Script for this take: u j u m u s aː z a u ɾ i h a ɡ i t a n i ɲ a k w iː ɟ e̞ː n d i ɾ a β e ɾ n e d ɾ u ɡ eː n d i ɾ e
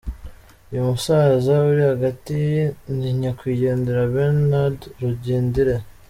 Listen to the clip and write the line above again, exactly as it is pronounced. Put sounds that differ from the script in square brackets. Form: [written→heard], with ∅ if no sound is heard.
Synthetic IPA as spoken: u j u m u s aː z a u ɾ i h a ɡ [i→a] t [a→i] n i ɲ a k w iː ɟ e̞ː n d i ɾ a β e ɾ n [e→a] d ɾ u [ɡ→ɟ] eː n d i ɾ e